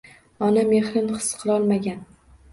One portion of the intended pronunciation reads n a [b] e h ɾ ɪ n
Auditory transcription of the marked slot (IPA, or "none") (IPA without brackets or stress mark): m